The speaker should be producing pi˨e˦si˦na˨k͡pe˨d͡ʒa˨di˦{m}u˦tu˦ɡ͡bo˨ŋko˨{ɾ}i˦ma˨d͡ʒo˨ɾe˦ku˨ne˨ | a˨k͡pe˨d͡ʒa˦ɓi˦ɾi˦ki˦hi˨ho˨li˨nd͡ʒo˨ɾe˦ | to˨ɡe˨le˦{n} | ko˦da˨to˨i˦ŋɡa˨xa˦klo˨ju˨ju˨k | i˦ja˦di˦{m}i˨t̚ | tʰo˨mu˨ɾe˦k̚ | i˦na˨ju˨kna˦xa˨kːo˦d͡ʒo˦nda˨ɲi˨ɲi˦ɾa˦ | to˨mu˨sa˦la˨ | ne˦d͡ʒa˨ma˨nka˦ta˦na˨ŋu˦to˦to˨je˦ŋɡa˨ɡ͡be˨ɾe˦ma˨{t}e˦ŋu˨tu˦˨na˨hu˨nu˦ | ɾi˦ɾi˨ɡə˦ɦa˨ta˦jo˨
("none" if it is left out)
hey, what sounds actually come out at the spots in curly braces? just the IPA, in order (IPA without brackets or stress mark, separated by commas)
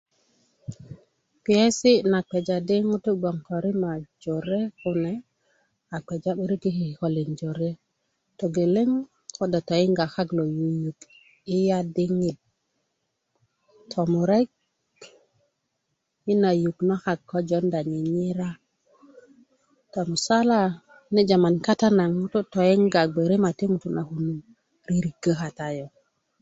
ŋ, ɾ, ŋ, ŋ, t